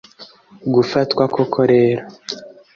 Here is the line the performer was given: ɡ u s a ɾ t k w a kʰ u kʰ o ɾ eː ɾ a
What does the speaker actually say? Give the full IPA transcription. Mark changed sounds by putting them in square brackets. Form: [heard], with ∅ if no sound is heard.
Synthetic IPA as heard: ɡ u [f] a [∅] t k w a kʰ [o] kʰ o ɾ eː ɾ a